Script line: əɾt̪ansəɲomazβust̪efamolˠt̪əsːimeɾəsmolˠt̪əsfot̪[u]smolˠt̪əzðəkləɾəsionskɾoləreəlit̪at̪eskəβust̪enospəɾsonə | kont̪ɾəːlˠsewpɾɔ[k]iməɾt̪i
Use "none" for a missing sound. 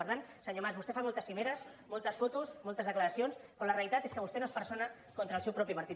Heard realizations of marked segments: u, p

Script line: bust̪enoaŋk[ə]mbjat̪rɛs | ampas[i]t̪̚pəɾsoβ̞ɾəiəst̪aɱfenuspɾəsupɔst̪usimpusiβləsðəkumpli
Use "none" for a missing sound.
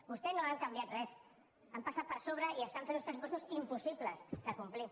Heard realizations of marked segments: a, a

